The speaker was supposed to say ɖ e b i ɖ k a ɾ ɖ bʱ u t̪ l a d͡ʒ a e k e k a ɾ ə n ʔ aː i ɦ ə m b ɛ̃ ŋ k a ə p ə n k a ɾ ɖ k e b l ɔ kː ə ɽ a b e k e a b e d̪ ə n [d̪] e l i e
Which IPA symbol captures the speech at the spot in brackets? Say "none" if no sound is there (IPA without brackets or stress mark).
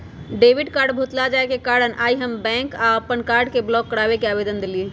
d̪